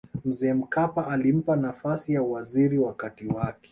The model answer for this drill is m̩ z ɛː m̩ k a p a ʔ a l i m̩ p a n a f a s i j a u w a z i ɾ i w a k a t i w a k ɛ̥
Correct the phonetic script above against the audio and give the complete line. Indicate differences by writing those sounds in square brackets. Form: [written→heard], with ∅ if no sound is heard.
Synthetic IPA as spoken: m̩ z ɛː m̩ k a p a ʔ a l i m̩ p a n a f a s i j a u w a z i ɾ i w a k a t i w a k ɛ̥